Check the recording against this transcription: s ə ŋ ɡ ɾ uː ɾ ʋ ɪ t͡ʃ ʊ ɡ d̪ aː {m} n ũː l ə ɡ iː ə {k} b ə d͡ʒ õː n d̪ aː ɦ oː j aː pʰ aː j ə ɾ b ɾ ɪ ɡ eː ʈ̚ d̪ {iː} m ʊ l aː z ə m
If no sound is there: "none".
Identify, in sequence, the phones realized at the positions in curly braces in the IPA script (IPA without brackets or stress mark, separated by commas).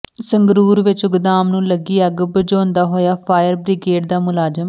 m, ɡ, aː